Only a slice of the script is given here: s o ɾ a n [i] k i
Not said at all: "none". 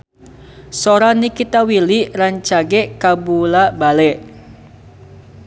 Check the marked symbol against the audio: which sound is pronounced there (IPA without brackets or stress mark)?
i